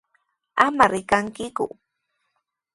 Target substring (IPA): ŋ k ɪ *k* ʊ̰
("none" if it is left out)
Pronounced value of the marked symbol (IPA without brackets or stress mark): k